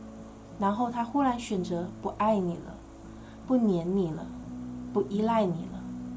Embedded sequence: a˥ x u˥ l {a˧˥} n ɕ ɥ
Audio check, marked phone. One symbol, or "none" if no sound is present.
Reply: a˧˥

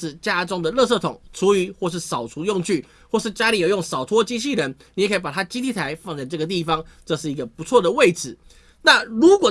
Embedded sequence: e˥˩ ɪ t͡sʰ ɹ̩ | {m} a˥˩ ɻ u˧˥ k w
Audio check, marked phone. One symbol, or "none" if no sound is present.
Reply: n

